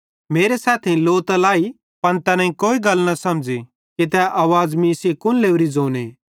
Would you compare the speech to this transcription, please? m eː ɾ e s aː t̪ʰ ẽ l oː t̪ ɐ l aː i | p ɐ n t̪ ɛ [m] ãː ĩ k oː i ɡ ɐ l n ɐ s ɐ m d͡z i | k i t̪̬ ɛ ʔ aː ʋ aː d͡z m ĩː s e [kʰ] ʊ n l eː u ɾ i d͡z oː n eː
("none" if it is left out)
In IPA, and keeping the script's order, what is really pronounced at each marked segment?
n, k

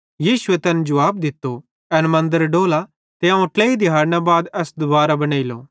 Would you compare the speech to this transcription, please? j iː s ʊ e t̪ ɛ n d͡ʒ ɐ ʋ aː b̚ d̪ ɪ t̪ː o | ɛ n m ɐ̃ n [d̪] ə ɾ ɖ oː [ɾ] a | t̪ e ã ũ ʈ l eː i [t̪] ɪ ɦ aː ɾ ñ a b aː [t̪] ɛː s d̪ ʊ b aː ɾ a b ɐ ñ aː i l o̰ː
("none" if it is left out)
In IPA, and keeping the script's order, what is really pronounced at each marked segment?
d̪, l, d̪, d̪

